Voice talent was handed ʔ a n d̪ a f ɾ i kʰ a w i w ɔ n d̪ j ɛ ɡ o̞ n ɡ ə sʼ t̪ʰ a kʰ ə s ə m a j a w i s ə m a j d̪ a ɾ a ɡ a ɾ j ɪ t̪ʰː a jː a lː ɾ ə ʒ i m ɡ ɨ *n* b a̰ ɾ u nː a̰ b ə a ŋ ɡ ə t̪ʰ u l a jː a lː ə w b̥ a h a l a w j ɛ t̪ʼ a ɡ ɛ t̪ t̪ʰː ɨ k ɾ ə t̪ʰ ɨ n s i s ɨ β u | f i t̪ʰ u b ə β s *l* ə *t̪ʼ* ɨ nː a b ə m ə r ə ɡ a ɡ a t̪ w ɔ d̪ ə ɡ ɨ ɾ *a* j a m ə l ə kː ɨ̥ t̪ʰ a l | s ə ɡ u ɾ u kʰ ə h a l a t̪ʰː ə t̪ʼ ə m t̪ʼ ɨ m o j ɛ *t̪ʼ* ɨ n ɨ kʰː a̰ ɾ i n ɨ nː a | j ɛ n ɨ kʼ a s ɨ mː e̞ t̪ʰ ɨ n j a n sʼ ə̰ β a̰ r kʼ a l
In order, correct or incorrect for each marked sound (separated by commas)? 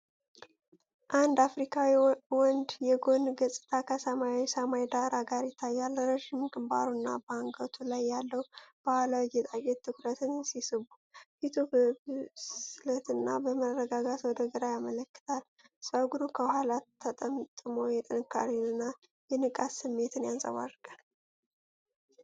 incorrect, correct, incorrect, correct, correct